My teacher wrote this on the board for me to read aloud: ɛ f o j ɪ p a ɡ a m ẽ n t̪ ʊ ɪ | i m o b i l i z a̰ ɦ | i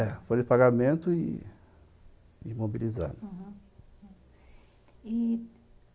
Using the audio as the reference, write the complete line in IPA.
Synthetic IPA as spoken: ɛ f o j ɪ p a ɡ a m ẽ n t̪ ʊ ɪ | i m o b i l i z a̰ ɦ | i